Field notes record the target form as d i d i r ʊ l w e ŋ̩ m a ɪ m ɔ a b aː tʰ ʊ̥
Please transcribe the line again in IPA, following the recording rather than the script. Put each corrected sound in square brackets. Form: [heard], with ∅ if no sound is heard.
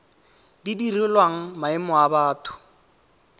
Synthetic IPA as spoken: d i d i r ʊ l w [a] ŋ̩ m a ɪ m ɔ a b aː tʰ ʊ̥